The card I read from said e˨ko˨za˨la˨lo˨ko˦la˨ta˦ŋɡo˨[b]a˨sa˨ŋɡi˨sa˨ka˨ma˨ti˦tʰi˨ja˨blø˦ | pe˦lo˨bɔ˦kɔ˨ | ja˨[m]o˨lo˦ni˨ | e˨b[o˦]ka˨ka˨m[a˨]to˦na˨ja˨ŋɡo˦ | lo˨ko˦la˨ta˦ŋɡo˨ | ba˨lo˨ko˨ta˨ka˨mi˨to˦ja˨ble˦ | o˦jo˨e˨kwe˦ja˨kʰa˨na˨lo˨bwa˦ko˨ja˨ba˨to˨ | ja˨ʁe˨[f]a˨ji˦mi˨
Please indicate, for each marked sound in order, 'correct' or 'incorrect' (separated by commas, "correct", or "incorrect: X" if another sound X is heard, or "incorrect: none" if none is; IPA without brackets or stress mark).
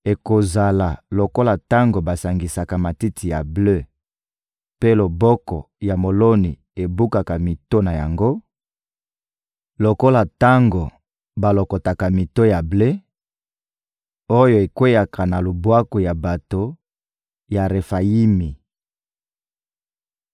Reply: correct, correct, incorrect: u˦, incorrect: i˨, correct